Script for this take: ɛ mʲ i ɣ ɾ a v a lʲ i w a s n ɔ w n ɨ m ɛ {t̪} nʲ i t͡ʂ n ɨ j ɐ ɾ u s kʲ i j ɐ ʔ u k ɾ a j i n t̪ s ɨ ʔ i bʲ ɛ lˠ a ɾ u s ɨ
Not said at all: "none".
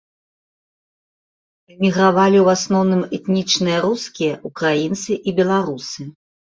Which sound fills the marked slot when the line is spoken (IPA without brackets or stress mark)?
t̪